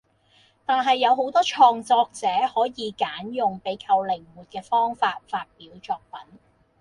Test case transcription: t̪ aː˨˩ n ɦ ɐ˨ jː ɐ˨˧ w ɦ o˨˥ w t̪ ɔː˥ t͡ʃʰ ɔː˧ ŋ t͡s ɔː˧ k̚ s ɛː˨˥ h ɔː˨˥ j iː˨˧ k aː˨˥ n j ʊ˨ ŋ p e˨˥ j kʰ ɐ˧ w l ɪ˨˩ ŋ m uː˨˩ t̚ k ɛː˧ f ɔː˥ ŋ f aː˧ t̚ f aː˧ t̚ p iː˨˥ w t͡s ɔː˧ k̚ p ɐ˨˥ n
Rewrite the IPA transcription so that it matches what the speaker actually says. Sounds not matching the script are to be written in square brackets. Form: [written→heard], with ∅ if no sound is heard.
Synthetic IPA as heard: t̪ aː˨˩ n ɦ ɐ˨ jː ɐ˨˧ w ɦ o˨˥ w t̪ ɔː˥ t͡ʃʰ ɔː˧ ŋ t͡s ɔː˧ k̚ [s→t͡s] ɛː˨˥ h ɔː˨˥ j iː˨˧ k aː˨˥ n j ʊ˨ ŋ p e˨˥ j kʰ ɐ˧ w l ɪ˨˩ ŋ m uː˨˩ t̚ k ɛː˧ f ɔː˥ ŋ f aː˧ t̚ f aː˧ t̚ p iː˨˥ w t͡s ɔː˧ k̚ p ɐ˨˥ n